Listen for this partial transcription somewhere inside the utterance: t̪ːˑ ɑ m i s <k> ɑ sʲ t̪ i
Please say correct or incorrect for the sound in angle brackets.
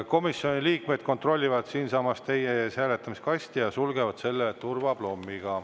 correct